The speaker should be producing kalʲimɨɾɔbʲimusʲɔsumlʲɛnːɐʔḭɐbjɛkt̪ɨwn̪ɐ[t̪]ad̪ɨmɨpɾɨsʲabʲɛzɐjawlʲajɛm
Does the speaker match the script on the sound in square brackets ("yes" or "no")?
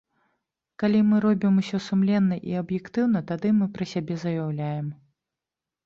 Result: yes